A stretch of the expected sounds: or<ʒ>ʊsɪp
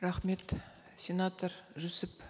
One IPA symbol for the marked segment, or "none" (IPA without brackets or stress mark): ʒ